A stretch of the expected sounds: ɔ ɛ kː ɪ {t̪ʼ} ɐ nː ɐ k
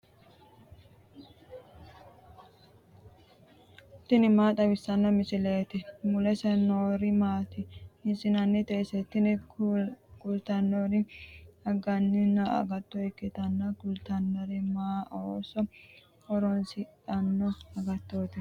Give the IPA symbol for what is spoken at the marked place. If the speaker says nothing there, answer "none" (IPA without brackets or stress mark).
t̪